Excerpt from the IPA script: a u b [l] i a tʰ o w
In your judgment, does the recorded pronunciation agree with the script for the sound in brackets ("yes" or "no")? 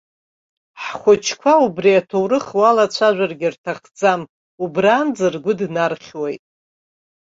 no